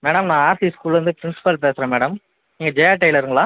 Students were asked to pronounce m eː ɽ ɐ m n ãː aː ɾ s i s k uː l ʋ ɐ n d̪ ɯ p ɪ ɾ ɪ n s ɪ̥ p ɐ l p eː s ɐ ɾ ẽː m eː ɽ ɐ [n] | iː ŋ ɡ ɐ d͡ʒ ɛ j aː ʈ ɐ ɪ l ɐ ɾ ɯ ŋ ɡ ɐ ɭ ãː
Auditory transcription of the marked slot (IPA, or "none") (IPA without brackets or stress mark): m